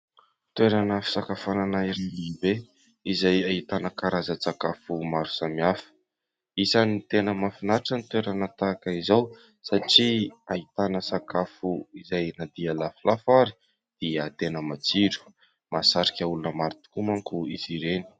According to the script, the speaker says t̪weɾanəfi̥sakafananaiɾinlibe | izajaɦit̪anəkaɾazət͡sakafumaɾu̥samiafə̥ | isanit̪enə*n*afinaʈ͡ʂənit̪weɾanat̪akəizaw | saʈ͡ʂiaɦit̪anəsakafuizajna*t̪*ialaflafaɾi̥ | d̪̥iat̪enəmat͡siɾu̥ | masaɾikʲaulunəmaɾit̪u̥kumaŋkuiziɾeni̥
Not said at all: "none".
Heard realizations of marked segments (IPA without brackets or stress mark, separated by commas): m, d̪